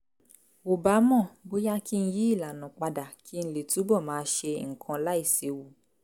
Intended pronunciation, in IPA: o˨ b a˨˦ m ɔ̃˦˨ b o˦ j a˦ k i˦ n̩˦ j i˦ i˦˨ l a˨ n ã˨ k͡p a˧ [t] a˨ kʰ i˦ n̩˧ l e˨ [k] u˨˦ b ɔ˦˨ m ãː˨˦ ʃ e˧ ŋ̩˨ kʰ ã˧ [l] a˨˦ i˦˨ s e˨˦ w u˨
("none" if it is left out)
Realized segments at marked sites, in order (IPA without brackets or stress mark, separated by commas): d, t, l